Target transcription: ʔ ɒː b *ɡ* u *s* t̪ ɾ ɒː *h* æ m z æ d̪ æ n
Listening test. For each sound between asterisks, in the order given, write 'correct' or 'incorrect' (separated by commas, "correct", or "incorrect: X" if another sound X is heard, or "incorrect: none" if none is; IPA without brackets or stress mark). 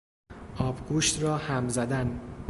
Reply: correct, incorrect: ʃ, correct